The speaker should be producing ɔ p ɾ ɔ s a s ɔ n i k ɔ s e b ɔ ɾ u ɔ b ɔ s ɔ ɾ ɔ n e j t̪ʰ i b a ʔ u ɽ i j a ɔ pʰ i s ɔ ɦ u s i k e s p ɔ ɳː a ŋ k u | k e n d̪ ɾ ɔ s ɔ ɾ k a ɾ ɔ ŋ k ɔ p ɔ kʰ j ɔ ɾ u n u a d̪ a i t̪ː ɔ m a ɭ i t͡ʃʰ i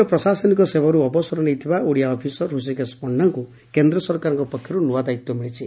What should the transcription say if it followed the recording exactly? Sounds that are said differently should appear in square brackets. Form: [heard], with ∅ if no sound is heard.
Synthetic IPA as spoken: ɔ p ɾ ɔ s a s ɔ n i k ɔ s e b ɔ ɾ u ɔ b ɔ s ɔ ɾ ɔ n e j t̪ʰ i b a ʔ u ɽ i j a ɔ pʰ i s ɔ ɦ u s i k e s p ɔ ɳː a ŋ k u | k e n d̪ ɾ ɔ s ɔ ɾ k a ɾ ɔ ŋ k ɔ p ɔ kʰ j ɔ ɾ u n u a d̪ a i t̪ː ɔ m [i] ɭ i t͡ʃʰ i